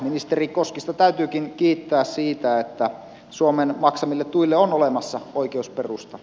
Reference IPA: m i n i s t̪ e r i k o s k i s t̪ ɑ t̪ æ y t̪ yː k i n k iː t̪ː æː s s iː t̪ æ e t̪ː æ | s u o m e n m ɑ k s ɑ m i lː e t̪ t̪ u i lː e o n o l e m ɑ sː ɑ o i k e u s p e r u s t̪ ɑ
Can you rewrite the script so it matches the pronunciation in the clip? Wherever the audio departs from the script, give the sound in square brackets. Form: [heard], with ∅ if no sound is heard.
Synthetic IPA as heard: m i n i s t̪ e r i k o s k i s t̪ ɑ t̪ æ y t̪ yː k i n k iː t̪ː æː s s iː t̪ æ e t̪ː æ | s u o m e n m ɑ k s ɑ m i lː e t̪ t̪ u i lː e o n o l e m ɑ sː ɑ o i k e u s p e r u s t̪ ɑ